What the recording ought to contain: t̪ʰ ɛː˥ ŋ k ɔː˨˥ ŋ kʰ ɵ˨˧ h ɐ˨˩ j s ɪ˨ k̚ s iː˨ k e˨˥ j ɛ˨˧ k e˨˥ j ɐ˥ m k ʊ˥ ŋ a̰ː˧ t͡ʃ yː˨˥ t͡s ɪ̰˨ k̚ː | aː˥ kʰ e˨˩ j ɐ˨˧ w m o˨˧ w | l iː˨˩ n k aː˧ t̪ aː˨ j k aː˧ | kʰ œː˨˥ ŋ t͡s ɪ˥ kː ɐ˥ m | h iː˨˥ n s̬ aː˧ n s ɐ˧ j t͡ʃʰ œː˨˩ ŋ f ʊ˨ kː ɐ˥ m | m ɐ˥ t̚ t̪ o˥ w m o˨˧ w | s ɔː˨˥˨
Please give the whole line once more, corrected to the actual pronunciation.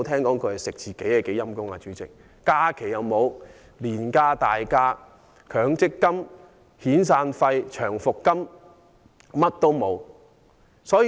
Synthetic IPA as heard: t̪ʰ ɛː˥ ŋ k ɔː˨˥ ŋ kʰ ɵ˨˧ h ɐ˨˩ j s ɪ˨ k̚ t͡s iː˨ k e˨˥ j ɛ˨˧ k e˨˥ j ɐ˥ m k ʊ˥ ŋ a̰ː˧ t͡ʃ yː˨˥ t͡s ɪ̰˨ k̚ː | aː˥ kʰ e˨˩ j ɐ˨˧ w m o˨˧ w | l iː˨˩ n k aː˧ t̪ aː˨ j k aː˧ | kʰ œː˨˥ ŋ t͡s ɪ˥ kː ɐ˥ m | h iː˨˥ n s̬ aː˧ n f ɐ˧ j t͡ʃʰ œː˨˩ ŋ f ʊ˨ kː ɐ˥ m | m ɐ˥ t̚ t̪ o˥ w m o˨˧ w | s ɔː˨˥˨